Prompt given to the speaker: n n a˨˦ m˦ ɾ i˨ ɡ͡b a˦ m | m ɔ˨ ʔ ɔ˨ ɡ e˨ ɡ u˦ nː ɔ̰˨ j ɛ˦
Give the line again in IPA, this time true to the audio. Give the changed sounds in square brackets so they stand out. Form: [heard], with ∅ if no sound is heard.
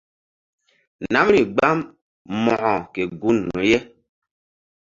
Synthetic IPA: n n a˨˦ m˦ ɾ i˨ ɡ͡b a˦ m | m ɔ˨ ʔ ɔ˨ [k] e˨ ɡ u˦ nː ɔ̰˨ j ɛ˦